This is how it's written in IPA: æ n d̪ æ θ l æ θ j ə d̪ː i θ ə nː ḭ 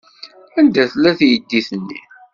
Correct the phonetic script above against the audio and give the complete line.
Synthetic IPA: æ n d̪ æ θ l æ θ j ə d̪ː i θ ə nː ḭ

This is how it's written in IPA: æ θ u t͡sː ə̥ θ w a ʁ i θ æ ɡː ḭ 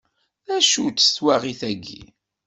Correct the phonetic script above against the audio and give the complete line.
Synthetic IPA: æ ʃ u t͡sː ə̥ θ w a ʁ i θ æ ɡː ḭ

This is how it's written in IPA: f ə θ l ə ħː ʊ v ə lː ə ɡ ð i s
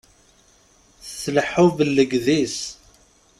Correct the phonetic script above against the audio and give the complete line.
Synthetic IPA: θ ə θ l ə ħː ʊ v ə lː ə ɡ ð i s

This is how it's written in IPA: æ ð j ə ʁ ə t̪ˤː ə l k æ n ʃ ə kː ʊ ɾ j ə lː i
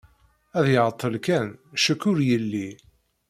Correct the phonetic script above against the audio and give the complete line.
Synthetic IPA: æ ð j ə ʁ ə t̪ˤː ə l k æ n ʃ ə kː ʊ ɾ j ə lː i

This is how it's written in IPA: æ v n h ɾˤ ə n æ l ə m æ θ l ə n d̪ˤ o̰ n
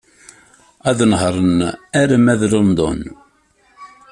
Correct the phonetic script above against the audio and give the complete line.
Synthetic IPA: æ ð n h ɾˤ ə n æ ɾ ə m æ ð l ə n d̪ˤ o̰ n

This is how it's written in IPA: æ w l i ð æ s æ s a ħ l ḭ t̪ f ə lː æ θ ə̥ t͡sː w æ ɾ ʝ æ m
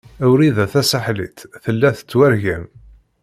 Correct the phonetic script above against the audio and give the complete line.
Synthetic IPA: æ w ɾ i ð æ θ æ s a ħ l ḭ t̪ θ ə lː æ θ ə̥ t͡sː w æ ɾ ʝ æ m

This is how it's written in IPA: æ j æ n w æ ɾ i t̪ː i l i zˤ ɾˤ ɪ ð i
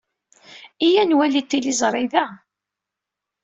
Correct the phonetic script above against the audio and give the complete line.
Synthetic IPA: i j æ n w æ l i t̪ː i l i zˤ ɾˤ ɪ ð æ

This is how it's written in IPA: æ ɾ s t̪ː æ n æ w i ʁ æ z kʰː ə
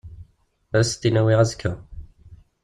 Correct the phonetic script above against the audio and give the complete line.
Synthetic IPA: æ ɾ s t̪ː i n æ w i ʁ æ z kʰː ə

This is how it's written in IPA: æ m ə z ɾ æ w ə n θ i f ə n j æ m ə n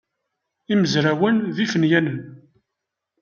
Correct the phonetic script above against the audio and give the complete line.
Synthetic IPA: i m ə z ɾ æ w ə n ð i f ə n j æ n ə n

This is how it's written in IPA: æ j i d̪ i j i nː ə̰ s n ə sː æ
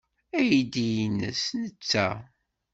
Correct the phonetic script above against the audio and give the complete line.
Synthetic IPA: æ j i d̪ i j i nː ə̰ s n ə t͡sː æ

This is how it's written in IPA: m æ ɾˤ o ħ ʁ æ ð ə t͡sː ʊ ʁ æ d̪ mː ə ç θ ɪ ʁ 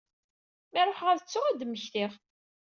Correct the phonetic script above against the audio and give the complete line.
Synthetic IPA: m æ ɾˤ o ħ ʁ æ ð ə t͡sː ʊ ʁ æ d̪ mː ə ç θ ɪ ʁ

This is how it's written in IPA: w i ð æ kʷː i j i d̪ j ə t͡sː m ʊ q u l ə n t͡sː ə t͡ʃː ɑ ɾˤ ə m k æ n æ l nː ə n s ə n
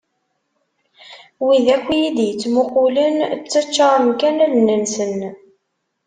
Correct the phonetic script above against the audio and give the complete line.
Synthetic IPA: w i ð æ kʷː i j i d̪ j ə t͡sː m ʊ q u l ə n t͡sː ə t͡ʃː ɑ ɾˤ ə m k æ n æ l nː ə n s ə n

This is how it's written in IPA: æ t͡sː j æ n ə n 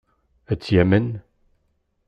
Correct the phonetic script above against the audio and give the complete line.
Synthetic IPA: æ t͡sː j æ m ə n

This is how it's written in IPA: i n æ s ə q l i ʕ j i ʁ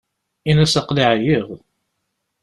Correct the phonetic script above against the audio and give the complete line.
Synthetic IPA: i n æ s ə q l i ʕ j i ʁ

